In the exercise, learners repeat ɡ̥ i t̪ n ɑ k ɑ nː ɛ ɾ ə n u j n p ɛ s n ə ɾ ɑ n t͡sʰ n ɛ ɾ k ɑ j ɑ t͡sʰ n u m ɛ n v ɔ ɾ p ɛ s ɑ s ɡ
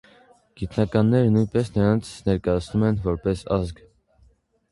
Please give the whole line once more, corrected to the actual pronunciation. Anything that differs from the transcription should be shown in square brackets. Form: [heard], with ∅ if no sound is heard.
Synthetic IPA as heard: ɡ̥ i t̪ n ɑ k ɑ nː ɛ ɾ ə n u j n p ɛ s n ə ɾ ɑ n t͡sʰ n ɛ ɾ k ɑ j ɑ t͡sʰ n u m ɛ n v ɔ ɾ p ɛ s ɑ [z] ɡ